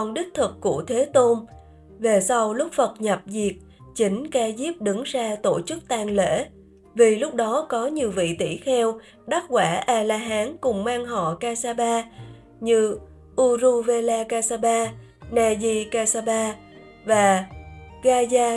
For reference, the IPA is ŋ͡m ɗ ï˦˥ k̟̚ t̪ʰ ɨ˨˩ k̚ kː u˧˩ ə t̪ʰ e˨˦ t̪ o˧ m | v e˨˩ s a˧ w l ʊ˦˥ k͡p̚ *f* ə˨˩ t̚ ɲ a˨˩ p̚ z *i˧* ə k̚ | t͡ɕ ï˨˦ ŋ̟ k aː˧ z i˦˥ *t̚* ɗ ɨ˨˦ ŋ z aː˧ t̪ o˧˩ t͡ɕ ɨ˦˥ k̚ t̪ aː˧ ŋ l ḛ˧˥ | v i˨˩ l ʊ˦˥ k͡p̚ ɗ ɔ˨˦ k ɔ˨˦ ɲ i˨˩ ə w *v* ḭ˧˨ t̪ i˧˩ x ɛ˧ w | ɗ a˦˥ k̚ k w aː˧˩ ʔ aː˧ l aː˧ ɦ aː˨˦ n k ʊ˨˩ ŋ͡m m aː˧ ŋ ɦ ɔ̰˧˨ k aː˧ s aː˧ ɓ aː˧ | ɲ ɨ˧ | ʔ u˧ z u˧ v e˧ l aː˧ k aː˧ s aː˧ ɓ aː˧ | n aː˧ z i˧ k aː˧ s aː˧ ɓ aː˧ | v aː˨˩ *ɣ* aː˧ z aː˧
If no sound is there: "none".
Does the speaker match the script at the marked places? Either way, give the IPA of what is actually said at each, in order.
f, i˨˩, p̚, v, ɣ

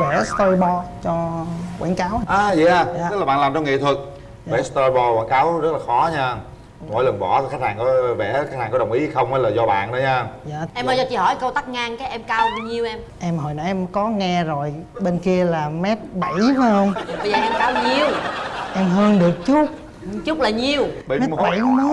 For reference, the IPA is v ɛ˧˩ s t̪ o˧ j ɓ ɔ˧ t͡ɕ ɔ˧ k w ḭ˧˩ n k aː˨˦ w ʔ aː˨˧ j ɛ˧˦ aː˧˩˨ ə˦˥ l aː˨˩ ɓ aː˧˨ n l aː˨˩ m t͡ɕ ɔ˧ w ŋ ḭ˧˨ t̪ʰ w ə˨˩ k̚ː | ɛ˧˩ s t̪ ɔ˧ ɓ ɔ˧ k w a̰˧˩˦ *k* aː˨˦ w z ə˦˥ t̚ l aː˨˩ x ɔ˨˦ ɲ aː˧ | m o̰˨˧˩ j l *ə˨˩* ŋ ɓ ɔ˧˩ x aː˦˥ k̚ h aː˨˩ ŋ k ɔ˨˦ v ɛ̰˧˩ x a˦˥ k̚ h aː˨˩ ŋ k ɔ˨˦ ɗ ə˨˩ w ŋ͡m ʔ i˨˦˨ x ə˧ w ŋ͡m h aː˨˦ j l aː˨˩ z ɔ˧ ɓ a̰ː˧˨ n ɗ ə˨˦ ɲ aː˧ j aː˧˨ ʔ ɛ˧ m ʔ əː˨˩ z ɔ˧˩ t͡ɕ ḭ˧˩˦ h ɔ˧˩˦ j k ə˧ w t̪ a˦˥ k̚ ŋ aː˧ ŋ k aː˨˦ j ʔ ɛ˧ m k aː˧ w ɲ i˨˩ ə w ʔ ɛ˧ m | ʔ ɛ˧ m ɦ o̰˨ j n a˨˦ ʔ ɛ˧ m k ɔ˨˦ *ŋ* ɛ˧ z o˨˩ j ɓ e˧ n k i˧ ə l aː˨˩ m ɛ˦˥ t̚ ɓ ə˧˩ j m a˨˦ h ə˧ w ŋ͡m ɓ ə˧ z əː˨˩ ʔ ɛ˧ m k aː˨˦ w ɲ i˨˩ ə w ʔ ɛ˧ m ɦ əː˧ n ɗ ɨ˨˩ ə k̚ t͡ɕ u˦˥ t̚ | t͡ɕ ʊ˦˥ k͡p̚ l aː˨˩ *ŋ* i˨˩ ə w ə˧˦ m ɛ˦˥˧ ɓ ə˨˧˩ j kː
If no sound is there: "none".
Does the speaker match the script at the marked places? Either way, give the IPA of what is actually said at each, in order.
k, ə˨˩, ŋ, ɲ

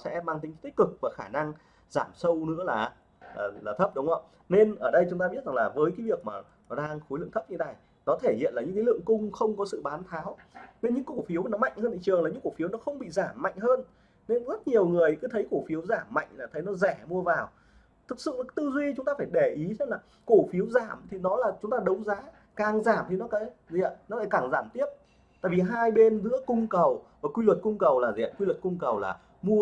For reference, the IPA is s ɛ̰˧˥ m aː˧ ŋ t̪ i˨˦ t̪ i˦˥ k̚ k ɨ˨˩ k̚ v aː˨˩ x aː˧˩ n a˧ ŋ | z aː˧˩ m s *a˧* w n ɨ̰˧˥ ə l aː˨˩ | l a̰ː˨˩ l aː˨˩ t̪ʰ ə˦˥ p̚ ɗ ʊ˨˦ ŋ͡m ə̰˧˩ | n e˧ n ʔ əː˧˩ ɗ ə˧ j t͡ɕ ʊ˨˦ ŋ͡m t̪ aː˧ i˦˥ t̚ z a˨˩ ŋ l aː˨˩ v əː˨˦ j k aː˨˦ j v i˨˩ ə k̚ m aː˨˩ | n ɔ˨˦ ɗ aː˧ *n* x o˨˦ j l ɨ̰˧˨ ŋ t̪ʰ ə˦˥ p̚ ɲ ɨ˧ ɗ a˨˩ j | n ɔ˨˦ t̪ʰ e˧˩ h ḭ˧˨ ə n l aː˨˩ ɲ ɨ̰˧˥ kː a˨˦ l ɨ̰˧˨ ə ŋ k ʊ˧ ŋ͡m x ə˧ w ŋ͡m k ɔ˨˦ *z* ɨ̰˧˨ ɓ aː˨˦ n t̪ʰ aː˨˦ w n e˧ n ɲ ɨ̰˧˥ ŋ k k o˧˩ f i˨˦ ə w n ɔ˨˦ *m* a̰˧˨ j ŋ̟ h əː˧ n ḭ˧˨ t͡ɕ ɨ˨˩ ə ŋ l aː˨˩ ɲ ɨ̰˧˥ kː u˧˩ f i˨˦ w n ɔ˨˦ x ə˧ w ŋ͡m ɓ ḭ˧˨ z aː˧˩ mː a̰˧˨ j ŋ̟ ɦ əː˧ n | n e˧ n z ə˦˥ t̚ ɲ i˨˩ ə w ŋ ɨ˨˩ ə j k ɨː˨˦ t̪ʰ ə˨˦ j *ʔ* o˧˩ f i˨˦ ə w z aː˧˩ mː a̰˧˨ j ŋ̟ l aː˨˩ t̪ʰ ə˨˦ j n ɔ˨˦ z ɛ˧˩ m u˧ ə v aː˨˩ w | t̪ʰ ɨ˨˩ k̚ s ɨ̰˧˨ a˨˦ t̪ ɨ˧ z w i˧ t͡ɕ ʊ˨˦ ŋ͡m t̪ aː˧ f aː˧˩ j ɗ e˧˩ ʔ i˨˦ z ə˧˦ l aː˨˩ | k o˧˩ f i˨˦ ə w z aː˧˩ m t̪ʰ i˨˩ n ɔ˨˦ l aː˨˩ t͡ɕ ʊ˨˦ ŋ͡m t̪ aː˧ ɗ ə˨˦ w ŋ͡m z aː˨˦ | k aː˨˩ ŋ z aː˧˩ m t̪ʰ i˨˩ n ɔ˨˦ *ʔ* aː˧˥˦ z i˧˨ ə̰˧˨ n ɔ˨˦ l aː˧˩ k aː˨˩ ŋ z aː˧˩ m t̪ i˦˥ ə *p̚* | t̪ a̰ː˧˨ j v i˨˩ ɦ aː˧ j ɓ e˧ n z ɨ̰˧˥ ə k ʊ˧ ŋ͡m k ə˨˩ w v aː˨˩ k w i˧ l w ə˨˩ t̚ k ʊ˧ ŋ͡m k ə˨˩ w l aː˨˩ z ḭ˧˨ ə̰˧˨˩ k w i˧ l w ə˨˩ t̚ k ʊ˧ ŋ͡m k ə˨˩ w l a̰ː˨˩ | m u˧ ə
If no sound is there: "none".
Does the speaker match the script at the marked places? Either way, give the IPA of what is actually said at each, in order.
ə˧, ŋ, s, m, k, k, p̚

